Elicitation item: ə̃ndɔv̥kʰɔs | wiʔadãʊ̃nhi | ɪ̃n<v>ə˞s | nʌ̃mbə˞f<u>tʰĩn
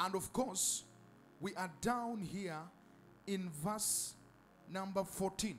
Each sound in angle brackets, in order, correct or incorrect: correct, incorrect: ɔ

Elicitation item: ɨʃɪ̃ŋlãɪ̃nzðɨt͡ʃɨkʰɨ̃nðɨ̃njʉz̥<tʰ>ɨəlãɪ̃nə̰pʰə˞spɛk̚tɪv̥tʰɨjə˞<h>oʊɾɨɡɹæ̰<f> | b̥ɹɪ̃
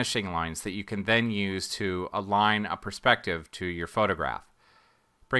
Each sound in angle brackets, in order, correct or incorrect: correct, incorrect: f, correct

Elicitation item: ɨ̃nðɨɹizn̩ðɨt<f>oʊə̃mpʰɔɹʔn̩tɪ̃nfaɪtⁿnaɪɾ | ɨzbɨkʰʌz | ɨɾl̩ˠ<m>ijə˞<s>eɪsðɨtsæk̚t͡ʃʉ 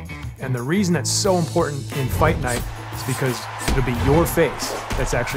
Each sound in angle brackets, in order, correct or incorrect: incorrect: s, incorrect: b, incorrect: f

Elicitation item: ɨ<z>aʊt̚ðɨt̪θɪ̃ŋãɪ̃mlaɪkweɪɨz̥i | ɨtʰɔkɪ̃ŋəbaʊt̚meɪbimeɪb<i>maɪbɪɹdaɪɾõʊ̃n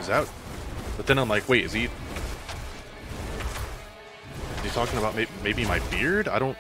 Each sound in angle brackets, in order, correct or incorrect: correct, correct

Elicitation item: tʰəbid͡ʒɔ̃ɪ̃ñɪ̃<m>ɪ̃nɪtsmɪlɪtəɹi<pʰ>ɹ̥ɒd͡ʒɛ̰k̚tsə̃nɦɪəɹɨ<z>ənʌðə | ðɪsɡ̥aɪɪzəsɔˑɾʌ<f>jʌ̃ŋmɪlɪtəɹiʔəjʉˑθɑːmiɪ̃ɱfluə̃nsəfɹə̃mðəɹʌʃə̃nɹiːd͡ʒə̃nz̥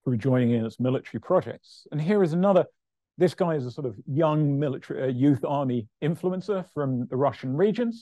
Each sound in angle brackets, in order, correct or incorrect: incorrect: ŋ, correct, correct, incorrect: v

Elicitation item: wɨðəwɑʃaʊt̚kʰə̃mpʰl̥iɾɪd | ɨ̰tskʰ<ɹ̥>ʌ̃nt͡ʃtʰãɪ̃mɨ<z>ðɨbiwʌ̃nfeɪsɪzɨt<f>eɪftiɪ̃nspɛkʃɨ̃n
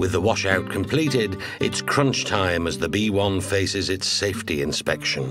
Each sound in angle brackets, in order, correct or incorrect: correct, correct, incorrect: s

